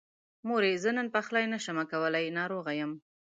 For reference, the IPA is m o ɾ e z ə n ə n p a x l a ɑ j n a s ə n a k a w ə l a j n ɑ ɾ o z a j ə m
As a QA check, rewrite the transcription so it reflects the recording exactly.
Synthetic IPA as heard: m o ɾ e z ə n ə n p a x l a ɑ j n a ʃ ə m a k a w ə l a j n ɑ ɾ o ɣ a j ə m